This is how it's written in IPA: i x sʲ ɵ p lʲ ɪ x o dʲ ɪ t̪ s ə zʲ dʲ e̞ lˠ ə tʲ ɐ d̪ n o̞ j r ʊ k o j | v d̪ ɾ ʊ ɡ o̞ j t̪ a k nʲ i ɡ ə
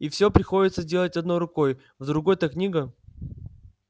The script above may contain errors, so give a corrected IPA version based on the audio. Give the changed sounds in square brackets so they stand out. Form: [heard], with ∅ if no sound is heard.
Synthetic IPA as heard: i [f] sʲ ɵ p [ɾʲ] ɪ x o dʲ ɪ t̪ s ə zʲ dʲ e̞ lˠ ə tʲ ɐ d̪ n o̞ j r ʊ k o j | v d̪ ɾ ʊ ɡ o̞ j t̪ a k nʲ i ɡ ə